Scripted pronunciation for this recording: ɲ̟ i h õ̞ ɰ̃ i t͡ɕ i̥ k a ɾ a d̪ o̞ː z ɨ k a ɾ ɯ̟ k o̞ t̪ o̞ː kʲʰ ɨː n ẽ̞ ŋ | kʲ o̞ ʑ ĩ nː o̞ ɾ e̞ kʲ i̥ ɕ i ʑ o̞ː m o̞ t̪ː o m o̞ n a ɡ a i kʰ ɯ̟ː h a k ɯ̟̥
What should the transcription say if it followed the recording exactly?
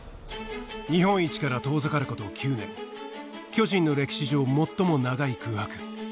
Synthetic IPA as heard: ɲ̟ i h õ̞ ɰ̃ i t͡ɕ i̥ k a ɾ a t̪ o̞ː z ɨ k a ɾ ɯ̟ k o̞ t̪ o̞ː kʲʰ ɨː n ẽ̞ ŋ | kʲ o̞ ʑ ĩ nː o̞ ɾ e̞ kʲ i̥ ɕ i ʑ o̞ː m o̞ t̪ː o m o̞ n a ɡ a i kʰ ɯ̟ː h a k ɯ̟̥